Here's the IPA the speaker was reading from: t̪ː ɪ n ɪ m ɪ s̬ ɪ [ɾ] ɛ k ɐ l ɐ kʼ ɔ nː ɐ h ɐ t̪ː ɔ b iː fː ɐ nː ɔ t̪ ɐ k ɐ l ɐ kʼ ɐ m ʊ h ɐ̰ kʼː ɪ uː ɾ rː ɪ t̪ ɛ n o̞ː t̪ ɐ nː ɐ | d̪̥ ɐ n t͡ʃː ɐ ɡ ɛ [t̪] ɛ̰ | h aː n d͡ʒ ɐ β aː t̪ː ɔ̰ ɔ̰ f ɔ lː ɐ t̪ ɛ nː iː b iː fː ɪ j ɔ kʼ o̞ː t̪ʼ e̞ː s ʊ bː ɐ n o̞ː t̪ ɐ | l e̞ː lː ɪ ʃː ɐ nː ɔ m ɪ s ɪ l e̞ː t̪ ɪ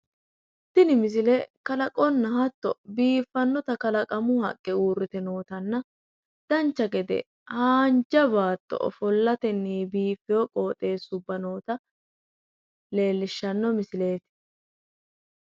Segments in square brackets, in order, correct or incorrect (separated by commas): incorrect, incorrect